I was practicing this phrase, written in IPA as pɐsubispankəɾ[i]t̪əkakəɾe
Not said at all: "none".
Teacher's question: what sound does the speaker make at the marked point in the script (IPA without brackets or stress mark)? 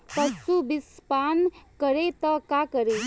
e